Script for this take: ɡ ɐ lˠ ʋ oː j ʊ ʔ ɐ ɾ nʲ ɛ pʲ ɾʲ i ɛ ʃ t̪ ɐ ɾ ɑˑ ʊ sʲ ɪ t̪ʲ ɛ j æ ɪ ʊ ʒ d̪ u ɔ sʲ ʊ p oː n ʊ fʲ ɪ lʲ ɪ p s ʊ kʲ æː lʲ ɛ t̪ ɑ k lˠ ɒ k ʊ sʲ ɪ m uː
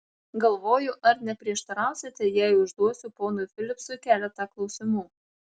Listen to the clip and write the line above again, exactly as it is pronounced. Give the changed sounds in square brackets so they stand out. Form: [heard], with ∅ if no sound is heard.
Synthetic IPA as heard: ɡ ɐ lˠ ʋ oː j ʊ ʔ ɐ ɾ nʲ ɛ pʲ ɾʲ i ɛ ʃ t̪ ɐ ɾ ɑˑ ʊ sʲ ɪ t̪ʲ ɛ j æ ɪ ʊ ʒ d̪ u ɔ sʲ ʊ p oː n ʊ fʲ ɪ lʲ ɪ p s ʊ kʲ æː lʲ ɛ t̪ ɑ k lˠ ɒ [∅] ʊ sʲ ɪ m uː